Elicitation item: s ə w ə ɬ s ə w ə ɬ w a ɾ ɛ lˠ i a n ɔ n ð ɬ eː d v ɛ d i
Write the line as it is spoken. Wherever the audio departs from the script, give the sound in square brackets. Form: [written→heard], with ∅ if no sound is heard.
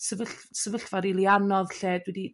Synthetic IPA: s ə [w→v] ə ɬ s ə [w→v] ə ɬ [w→v] a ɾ [ɛ→i] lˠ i a n ɔ [n→∅] ð ɬ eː d [v→w] ɛ d i